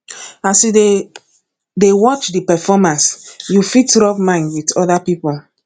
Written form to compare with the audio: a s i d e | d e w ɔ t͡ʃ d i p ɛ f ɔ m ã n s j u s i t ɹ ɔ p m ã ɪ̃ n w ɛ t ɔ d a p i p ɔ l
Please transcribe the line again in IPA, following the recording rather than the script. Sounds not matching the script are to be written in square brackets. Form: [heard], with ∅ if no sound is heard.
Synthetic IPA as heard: a s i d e | d e w ɔ t͡ʃ d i p ɛ f ɔ m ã n s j u [f] i t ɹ ɔ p m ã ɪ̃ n w [i] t ɔ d a p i p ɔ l